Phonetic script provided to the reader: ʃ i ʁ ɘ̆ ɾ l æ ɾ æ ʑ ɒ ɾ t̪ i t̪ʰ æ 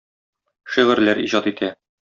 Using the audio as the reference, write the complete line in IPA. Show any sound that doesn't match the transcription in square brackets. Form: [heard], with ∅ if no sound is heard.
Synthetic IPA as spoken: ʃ i ʁ ɘ̆ ɾ l æ ɾ [i] ʑ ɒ [∅] t̪ i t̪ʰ æ